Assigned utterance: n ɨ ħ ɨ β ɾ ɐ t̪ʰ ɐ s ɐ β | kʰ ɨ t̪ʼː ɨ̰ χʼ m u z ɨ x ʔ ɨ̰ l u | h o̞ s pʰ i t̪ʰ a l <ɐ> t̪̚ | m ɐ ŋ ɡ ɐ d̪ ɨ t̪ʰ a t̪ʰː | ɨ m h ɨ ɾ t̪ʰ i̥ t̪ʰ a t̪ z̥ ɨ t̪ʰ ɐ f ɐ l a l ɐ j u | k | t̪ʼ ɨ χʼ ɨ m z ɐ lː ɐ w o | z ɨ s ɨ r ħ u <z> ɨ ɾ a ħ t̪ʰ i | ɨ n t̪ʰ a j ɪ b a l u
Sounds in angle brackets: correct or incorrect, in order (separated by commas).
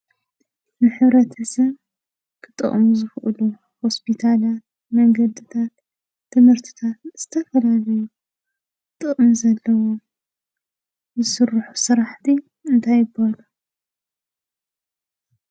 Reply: incorrect, incorrect